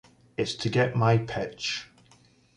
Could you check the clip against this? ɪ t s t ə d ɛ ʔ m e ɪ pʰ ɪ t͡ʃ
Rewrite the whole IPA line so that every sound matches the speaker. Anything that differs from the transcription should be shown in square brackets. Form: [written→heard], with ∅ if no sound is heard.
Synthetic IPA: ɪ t s [t→tʰ] ə [d→ɡ] ɛ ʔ m [e→a] ɪ pʰ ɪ t͡ʃ